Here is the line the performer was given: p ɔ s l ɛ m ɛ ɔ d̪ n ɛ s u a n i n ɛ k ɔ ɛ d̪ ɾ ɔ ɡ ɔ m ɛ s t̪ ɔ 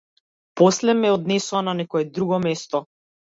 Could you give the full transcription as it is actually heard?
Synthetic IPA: p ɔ s l ɛ m ɛ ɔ d̪ n ɛ s u a n a n ɛ k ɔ ɛ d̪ ɾ u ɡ ɔ m ɛ s t̪ ɔ